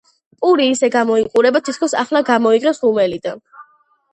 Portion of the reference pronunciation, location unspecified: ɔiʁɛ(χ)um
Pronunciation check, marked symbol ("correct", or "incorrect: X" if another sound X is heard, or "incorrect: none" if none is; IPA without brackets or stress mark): incorrect: s